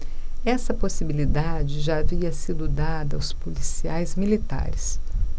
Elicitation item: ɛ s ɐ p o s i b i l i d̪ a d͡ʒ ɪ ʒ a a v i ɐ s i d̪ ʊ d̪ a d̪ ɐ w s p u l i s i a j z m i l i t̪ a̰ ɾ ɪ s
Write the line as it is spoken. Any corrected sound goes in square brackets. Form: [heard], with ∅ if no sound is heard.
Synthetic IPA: ɛ s ɐ p o s i b i l i d̪ a d͡ʒ ɪ ʒ a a v i ɐ s i d̪ ʊ d̪ a d̪ ɐ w s p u l i s i a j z m i l i t̪ a̰ ɾ ɪ s